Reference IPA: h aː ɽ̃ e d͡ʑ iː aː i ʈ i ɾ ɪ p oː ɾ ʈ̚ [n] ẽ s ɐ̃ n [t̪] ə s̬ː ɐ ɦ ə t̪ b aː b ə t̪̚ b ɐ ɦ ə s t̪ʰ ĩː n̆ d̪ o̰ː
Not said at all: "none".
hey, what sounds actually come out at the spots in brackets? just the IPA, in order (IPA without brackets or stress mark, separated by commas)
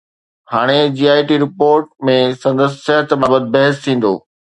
m, d̪